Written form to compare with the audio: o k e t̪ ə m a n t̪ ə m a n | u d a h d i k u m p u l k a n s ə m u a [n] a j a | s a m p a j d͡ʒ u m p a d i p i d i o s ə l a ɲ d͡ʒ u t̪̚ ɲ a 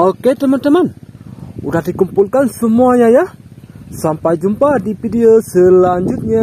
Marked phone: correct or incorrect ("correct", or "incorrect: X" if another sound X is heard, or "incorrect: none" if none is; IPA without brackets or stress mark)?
incorrect: ɲ